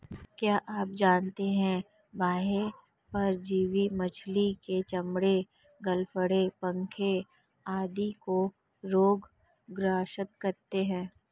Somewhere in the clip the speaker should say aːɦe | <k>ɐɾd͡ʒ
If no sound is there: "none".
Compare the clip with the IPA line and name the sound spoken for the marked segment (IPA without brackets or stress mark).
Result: p